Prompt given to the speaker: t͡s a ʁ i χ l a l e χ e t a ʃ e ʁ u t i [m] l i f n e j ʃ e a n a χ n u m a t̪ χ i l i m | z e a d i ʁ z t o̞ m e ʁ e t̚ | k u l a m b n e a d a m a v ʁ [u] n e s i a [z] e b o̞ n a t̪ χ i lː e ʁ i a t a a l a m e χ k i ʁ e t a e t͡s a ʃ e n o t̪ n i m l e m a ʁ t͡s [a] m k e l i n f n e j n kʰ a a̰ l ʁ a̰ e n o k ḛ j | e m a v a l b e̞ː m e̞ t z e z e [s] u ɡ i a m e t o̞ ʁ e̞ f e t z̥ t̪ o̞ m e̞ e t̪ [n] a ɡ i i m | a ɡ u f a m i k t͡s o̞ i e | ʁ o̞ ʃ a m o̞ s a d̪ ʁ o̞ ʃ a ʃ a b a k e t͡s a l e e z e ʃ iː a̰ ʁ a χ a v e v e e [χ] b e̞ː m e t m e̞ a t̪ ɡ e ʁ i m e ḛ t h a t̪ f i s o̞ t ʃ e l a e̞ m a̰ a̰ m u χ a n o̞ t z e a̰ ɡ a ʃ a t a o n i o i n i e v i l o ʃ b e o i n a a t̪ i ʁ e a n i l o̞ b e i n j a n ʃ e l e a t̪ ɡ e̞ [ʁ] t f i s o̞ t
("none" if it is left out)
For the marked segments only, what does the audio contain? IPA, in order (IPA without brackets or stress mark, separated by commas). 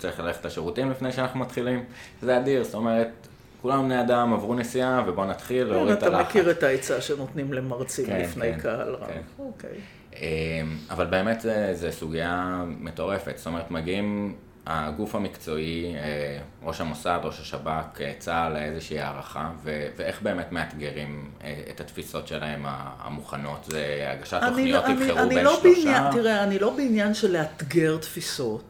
m, u, v, i, s, m, χ, ʁ